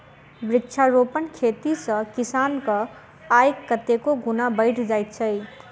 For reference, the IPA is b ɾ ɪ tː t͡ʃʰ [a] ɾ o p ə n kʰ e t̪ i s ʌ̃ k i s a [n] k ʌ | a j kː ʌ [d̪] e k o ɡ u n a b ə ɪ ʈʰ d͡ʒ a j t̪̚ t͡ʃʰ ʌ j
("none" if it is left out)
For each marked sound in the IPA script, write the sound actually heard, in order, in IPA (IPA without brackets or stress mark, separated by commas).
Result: a, n, t̪